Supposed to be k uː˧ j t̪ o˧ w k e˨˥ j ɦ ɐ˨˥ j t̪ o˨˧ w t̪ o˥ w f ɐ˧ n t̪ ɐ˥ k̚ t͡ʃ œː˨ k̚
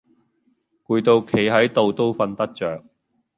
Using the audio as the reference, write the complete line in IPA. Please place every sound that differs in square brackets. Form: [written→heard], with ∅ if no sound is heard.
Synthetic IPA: k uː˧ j t̪ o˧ w [k→kʰ] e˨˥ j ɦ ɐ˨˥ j t̪ o˨˧ w t̪ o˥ w f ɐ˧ n t̪ ɐ˥ k̚ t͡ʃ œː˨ k̚